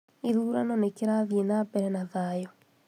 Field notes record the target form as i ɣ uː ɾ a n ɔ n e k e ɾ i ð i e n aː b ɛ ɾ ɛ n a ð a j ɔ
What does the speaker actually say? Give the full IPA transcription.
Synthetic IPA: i ð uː ɾ a n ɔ n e k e ɾ a ð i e n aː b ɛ ɾ ɛ n a ð a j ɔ